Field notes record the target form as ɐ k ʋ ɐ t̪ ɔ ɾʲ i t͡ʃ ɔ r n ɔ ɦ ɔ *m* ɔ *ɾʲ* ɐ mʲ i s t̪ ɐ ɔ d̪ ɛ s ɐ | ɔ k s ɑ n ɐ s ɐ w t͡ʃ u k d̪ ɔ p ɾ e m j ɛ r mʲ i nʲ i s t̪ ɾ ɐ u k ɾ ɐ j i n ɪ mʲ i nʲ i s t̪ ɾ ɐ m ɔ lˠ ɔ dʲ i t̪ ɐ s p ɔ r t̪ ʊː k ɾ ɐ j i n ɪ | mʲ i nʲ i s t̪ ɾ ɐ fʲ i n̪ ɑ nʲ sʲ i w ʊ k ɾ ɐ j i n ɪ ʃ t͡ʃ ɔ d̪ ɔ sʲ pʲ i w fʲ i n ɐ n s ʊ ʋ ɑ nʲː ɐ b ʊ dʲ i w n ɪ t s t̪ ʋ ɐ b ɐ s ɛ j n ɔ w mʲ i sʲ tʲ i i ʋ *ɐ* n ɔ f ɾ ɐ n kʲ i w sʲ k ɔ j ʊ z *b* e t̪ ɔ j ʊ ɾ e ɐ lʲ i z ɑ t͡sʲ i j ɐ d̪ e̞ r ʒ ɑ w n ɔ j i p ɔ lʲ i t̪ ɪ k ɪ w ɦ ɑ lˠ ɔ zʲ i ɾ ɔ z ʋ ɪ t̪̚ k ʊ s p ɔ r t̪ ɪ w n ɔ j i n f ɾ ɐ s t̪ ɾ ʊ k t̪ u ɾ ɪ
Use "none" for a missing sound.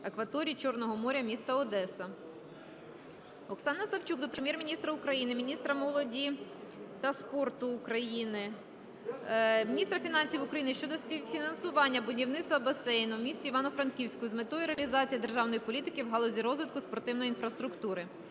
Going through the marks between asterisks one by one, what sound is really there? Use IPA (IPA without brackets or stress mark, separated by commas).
m, ɾʲ, ɑ, m